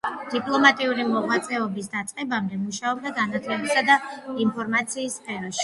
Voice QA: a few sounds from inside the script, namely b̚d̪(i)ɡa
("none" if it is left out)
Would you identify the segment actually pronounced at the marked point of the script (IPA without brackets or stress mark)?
a